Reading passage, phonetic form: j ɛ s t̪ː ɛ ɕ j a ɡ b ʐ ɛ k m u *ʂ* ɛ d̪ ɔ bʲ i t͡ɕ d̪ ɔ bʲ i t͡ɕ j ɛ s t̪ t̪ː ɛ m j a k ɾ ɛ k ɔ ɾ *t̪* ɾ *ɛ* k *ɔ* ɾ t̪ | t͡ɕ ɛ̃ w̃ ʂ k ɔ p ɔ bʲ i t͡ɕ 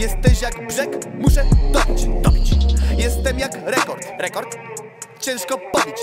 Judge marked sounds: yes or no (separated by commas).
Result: yes, yes, yes, yes